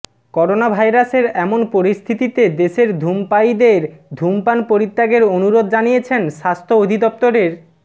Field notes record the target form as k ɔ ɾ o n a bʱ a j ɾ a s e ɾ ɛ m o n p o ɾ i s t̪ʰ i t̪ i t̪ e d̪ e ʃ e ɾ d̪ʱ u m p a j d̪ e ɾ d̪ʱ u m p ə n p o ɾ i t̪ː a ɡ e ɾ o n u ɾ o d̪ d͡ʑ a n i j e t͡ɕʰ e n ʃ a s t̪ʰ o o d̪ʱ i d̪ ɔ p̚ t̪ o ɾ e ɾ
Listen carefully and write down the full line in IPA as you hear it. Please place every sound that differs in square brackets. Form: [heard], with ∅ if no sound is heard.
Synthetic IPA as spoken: k ɔ ɾ o n a bʱ a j ɾ a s e ɾ ɛ m o n p o ɾ i s t̪ʰ i t̪ i t̪ e d̪ e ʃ e ɾ d̪ʱ u m p a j d̪ e ɾ d̪ʱ u m p [a] n p o ɾ i t̪ː a ɡ e ɾ o n u ɾ o d̪ d͡ʑ a n i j e t͡ɕʰ e n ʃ a s t̪ʰ o o d̪ʱ i d̪ ɔ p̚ t̪ o ɾ e ɾ